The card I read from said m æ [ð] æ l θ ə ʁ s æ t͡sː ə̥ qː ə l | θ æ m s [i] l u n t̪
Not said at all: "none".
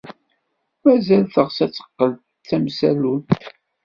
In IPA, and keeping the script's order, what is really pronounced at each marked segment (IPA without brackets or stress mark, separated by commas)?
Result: z, æ